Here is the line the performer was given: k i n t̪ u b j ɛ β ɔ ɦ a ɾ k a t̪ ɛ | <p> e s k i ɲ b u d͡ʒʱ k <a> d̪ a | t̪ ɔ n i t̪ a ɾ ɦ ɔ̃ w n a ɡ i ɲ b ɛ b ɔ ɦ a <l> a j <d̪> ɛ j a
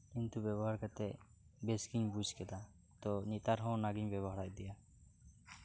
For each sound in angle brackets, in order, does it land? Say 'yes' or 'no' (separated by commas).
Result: no, no, no, yes